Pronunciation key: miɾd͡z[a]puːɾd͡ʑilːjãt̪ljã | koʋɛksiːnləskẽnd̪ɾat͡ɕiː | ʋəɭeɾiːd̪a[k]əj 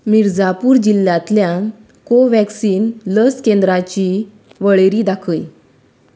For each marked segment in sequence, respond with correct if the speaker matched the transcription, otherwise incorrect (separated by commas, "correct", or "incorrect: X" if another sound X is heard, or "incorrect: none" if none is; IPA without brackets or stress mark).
correct, incorrect: kʰ